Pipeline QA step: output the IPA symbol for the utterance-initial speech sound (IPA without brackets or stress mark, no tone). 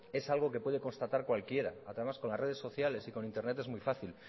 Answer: e̞